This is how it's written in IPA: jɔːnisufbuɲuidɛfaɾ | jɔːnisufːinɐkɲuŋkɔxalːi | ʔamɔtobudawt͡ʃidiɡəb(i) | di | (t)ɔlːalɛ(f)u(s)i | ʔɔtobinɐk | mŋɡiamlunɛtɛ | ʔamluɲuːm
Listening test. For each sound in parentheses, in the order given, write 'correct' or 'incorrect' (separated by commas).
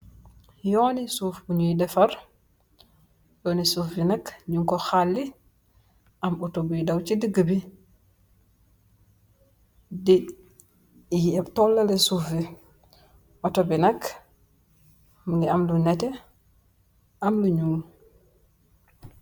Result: correct, correct, incorrect, incorrect